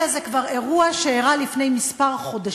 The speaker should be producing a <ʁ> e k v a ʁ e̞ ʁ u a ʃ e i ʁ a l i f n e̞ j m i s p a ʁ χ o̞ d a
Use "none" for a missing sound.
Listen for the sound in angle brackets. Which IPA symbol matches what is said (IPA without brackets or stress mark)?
z